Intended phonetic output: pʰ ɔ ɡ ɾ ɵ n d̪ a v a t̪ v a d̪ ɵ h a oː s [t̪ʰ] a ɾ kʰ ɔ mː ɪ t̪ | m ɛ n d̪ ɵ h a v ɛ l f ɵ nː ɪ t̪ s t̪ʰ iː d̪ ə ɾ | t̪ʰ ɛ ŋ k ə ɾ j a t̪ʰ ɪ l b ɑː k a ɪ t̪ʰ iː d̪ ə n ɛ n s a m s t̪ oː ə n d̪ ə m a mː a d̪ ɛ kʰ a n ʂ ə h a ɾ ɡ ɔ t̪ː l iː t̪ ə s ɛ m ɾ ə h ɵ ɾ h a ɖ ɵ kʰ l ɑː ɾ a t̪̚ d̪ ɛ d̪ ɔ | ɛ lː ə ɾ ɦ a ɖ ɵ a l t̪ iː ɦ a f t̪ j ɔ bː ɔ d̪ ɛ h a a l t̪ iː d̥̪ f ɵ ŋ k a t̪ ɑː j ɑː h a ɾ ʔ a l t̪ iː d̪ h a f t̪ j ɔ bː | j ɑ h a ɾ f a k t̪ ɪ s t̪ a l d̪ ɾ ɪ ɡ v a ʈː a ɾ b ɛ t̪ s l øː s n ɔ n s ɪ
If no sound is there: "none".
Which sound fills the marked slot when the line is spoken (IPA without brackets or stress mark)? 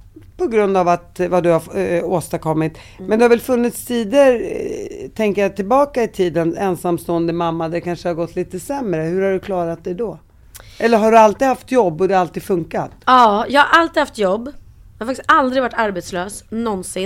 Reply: t̪